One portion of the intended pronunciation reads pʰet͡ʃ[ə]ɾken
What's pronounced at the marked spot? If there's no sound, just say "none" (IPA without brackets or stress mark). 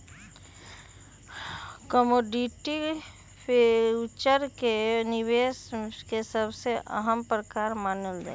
ə